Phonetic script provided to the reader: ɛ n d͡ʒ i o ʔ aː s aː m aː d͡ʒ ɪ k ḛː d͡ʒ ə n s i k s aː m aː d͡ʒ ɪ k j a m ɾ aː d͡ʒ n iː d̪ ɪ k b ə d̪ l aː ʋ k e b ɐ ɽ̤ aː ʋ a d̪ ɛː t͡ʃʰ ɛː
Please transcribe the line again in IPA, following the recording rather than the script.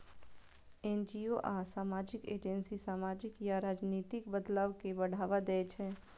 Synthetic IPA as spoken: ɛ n d͡ʒ i o ʔ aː s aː m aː d͡ʒ ɪ k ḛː d͡ʒ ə n s i s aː m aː d͡ʒ ɪ k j a ɾ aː d͡ʒ n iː t̪ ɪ k b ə d̪ l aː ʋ k e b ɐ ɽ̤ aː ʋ a d̪ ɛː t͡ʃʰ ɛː